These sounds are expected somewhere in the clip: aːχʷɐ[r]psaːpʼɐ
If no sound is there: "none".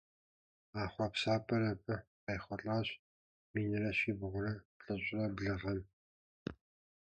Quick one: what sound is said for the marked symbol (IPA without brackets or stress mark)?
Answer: none